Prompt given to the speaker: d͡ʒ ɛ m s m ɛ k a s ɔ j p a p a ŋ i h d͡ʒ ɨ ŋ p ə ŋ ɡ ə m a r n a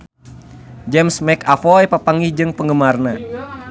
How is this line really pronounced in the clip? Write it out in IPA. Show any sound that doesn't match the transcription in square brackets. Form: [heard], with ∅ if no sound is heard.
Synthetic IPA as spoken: d͡ʒ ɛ m s m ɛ k a [f] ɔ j p a p a ŋ i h d͡ʒ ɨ ŋ p ə ŋ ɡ ə m a r n a

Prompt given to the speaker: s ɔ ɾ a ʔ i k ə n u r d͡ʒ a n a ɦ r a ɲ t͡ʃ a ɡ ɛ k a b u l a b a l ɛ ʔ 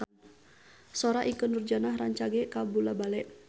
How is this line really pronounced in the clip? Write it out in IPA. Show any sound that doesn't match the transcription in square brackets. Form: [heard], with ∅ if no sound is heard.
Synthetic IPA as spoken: s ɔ ɾ a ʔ i k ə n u r d͡ʒ a n a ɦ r a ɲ t͡ʃ a ɡ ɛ k a b u l a b a l ɛ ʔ

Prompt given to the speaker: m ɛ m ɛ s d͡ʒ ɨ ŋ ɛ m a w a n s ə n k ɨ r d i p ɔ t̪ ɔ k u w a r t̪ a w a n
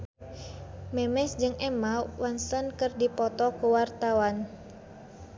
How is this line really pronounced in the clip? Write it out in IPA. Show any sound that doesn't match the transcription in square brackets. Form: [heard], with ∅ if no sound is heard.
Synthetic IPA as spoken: m ɛ m ɛ s d͡ʒ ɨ ŋ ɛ m a w a n s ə n k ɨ r d i p ɔ t̪ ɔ k u w a r t̪ a w a n

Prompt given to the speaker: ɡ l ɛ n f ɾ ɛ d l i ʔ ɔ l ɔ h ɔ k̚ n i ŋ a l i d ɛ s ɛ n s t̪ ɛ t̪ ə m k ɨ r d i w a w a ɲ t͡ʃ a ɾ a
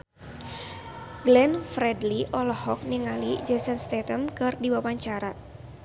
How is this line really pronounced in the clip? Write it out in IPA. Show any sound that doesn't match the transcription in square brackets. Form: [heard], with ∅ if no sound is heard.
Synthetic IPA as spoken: ɡ l ɛ n f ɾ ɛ d l i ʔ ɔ l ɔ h ɔ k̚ n i ŋ a l i [d͡ʒ] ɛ s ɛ n s t̪ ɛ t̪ ə m k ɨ r d i w a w a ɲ t͡ʃ a ɾ a

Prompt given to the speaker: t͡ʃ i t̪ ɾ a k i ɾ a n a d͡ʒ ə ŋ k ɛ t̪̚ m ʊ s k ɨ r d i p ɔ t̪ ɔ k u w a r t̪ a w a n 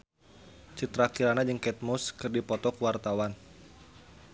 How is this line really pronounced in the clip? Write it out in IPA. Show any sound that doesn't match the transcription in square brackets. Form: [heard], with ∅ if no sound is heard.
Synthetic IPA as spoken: t͡ʃ i t̪ ɾ a k i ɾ a n a d͡ʒ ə ŋ k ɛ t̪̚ m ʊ s k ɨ r d i p ɔ t̪ ɔ k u w a r t̪ a w a n

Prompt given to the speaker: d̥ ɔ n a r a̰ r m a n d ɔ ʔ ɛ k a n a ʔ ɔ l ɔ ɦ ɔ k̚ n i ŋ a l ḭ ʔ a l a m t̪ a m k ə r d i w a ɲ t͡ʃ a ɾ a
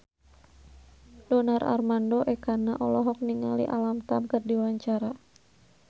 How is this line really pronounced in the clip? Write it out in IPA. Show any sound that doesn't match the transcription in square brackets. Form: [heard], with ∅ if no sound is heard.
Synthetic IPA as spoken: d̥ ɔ n a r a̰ r m a n d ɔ ʔ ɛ k a n a ʔ ɔ l ɔ ɦ ɔ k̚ n i ŋ a l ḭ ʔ a l a m t̪ a m k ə r d i w a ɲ t͡ʃ a ɾ a

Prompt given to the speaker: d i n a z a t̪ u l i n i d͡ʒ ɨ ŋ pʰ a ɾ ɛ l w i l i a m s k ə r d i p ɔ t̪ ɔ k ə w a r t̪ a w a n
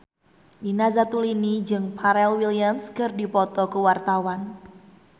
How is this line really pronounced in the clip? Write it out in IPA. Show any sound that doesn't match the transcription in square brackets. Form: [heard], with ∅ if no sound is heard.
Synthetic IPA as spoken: d i n a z a t̪ u l i n i d͡ʒ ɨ ŋ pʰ a ɾ ɛ l w i l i a m s k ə r d i p ɔ t̪ ɔ k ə w a r t̪ a w a n

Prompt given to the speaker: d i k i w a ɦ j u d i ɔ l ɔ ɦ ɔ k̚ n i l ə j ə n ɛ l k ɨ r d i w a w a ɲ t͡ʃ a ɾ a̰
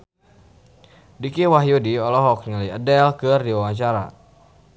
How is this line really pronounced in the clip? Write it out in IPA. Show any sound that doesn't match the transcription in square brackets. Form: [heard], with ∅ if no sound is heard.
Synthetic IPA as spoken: d i k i w a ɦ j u d i ɔ l ɔ ɦ ɔ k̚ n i l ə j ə [d] ɛ l k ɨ r d i w a w a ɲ t͡ʃ a ɾ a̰

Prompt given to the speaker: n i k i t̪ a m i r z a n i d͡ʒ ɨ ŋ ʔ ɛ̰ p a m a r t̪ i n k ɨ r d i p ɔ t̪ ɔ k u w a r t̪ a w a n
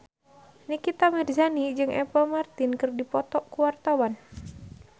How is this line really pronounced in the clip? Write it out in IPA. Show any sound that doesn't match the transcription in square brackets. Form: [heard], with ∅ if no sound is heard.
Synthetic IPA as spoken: n i k i t̪ a m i r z a n i d͡ʒ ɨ ŋ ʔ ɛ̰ p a m a r t̪ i n k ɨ r d i p ɔ t̪ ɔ k u w a r t̪ a w a n

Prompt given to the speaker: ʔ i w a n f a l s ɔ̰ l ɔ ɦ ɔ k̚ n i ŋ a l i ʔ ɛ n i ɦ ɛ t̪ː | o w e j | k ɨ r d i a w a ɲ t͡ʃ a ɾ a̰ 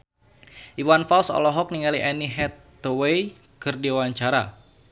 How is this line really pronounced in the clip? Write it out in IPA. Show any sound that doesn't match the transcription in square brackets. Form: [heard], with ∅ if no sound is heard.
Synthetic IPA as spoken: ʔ i w a n f a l s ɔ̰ l ɔ ɦ ɔ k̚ n i ŋ a l i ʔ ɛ n i ɦ ɛ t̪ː | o w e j | k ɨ r d i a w a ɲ t͡ʃ a ɾ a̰

